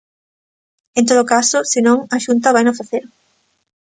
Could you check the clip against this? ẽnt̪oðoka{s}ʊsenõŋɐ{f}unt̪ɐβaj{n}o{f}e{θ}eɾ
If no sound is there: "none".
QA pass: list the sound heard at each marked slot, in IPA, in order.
s, ʃ, n, f, θ

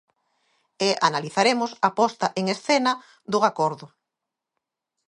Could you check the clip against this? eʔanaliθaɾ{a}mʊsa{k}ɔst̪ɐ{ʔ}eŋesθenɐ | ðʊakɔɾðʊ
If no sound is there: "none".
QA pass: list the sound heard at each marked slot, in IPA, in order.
e, p, ʔ

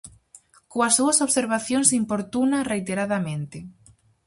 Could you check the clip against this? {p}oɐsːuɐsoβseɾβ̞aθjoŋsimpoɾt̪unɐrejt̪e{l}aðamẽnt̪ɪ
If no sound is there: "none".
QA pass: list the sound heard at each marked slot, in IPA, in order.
k, ɾ

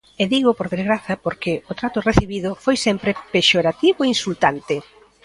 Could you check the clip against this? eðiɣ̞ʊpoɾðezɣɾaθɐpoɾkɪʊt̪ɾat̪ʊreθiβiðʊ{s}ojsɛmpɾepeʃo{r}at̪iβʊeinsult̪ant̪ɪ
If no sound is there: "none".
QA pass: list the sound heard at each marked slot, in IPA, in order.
f, ɾ

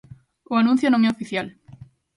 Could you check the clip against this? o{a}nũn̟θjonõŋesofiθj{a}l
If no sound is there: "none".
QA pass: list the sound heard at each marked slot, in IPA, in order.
a, a

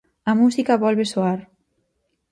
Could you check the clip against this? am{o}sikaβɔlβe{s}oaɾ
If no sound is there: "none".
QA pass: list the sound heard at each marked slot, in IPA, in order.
u, s

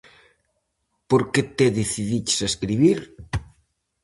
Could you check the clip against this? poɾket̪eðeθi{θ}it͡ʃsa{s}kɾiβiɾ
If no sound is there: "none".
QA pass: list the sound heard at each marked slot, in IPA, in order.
ð, s

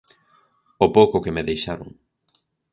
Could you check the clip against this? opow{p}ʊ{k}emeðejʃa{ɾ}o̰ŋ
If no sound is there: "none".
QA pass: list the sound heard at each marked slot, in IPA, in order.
k, k, ɾ

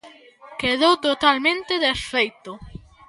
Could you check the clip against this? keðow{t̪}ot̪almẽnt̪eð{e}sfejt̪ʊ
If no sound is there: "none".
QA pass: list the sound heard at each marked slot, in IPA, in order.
t̪, e

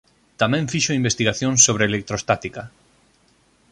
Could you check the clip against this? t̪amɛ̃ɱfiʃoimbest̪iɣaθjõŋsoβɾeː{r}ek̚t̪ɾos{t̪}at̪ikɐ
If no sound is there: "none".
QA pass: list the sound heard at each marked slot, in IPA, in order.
l, t̪

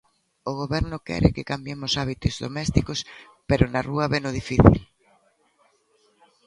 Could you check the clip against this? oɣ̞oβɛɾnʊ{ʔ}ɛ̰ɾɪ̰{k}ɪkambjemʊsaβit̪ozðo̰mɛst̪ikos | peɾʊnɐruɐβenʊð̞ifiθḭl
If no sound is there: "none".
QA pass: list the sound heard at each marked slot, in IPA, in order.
k, k

